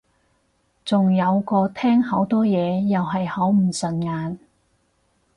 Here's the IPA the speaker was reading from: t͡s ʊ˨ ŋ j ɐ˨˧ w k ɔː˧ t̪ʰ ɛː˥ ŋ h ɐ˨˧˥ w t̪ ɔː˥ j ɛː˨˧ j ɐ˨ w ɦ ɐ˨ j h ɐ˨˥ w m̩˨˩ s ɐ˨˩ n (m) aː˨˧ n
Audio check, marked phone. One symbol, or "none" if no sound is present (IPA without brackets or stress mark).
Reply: ŋ